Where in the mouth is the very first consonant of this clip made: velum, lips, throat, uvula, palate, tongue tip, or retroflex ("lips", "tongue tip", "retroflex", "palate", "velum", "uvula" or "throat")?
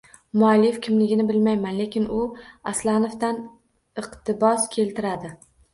lips